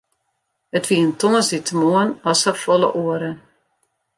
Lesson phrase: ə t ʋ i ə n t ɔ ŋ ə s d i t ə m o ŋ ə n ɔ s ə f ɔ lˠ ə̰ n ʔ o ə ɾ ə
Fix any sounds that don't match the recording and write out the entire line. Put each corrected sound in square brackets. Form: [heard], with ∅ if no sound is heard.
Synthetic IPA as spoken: ə t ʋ i ə n t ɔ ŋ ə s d i t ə m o [∅] ə n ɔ s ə f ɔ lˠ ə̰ [∅] ʔ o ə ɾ ə

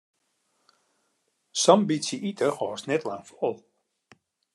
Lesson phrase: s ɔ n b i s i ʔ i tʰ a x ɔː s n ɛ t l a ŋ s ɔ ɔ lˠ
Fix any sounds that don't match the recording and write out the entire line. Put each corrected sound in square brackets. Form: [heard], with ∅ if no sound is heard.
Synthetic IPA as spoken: s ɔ [m] b i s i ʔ i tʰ [ə] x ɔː s n ɛ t l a ŋ [f] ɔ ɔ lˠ

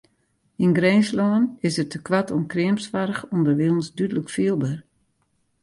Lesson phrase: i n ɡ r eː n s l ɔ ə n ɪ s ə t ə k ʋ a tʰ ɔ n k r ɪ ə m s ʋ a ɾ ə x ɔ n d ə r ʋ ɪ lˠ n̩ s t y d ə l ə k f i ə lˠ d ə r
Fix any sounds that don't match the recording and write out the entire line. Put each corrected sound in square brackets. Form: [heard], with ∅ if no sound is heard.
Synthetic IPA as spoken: i n ɡ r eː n s l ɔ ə n ɪ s ə t ə k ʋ a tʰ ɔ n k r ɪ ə m s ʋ a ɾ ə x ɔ n d ə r ʋ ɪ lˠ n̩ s [d] y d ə l ə k f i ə lˠ [b] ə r

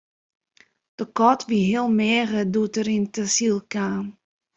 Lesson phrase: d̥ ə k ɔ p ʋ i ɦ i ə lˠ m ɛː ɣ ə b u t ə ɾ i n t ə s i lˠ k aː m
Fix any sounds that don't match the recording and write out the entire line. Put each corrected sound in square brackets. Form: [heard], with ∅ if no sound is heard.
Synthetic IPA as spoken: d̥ ə k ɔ [t] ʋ i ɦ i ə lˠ m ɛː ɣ ə [d] u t ə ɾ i n t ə s i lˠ k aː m

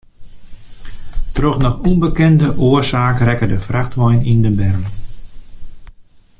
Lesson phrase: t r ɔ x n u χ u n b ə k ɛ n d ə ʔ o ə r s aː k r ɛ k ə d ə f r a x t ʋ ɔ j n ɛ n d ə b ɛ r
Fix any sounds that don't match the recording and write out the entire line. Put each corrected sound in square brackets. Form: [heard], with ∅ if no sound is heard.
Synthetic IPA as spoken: t r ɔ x n [ɔ] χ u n b ə k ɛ n d ə ʔ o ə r s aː k r ɛ k ə d ə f r a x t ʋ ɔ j n [i] n d ə b ɛ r

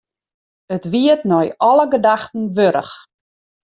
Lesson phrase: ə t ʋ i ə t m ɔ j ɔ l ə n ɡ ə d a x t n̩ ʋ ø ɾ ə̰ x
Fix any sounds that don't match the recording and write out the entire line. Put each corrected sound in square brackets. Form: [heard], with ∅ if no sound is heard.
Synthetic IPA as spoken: ə t ʋ i ə t [n] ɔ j ɔ l ə [∅] ɡ ə d a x t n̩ ʋ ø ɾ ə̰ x

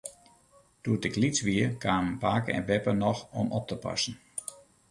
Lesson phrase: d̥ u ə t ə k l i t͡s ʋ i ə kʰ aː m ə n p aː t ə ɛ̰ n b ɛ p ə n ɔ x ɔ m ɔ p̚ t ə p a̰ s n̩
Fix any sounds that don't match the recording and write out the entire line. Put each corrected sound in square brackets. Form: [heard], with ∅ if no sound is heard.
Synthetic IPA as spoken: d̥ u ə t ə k l i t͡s ʋ i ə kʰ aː m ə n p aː [k] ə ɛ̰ n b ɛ p ə n ɔ x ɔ m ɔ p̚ t ə p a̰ s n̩

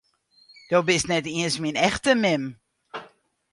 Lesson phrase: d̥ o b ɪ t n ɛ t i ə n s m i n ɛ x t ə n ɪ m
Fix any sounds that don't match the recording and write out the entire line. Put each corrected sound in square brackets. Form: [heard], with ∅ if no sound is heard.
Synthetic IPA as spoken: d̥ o b ɪ [s] n ɛ t i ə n s m i n ɛ x t ə [m] ɪ m

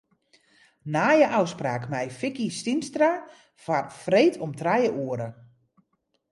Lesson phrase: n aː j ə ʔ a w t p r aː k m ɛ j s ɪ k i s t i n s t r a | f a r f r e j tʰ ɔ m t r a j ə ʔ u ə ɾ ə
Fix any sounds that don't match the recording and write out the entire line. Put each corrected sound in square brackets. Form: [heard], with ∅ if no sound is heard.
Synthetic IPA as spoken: n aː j ə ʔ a w [s] p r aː k m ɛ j [f] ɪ k i s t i n s t r a | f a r f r e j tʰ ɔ m t r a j ə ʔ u ə ɾ ə

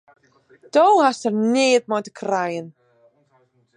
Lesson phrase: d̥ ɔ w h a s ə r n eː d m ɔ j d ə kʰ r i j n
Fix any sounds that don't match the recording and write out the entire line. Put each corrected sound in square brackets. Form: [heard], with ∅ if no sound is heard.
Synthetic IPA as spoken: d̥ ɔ w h a s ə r n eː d m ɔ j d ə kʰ r [a] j n

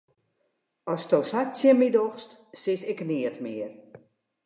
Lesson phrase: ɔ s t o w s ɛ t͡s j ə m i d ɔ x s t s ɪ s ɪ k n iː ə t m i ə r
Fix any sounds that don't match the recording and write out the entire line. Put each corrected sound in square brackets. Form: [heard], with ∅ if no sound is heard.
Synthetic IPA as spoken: ɔ s t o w s [a] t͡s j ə m i d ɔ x s t s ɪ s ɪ k n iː ə t m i ə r

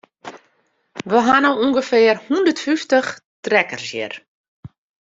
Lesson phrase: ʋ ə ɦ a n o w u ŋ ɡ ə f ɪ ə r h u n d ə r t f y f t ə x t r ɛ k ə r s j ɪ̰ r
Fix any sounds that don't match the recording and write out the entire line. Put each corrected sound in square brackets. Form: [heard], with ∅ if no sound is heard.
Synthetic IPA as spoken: ʋ ə ɦ a n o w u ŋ ɡ ə f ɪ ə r h u n d ə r t f y f t ə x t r ɛ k ə r s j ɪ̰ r

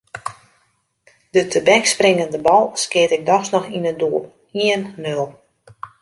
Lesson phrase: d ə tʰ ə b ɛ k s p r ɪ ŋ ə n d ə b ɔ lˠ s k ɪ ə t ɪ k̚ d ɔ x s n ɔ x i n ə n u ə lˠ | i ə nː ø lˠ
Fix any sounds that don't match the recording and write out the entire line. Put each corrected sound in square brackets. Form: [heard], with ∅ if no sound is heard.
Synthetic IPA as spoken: d ə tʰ ə b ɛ k s p r ɪ ŋ ə n d ə b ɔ lˠ s k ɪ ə t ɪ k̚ d ɔ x s n ɔ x i n ə [d] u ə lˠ | i ə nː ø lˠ

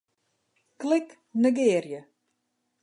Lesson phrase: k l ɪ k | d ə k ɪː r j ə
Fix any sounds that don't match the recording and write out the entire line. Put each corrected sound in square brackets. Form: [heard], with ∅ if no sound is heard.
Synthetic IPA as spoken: k l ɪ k | [n] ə [ɡ] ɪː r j ə

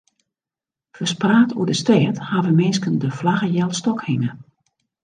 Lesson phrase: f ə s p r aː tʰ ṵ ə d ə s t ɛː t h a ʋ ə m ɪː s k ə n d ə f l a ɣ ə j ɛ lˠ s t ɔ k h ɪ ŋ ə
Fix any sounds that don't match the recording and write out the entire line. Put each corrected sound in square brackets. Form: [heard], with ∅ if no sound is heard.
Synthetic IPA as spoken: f ə s p r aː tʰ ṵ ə d ə s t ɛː t h a ʋ ə m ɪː s k ə n d ə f l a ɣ ə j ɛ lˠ s t ɔ k h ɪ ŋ ə

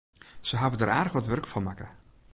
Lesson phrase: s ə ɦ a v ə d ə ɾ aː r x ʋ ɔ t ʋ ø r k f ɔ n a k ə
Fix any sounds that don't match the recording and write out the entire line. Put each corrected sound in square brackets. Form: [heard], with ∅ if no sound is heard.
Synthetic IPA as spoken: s ə ɦ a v ə d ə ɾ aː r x ʋ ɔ t ʋ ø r k f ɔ [m] a k ə

